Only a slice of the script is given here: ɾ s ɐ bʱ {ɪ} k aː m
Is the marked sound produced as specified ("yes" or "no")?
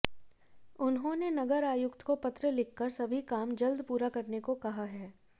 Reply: no